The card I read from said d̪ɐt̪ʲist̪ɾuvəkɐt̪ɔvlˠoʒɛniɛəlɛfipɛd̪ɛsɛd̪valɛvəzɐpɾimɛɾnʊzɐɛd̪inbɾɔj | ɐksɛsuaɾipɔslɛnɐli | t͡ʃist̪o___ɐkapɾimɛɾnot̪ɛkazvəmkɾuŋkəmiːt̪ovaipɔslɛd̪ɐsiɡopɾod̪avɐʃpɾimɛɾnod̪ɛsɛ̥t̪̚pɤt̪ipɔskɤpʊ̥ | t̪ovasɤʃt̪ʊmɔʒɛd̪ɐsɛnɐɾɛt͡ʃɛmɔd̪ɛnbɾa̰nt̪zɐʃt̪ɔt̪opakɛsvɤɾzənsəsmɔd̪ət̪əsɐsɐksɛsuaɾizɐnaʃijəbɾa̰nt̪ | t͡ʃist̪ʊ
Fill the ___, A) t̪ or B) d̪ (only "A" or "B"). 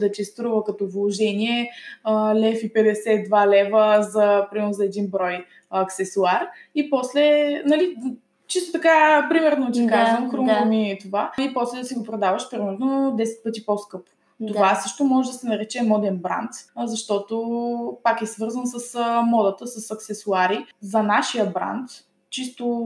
A